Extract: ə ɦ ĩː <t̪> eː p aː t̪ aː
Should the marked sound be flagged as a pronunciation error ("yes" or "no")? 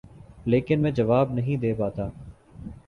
yes